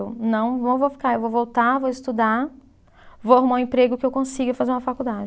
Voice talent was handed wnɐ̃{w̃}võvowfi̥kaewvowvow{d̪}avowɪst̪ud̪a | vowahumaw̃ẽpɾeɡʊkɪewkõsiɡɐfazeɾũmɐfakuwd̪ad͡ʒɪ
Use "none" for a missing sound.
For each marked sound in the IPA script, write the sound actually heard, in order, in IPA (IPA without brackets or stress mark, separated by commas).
w̃, t̪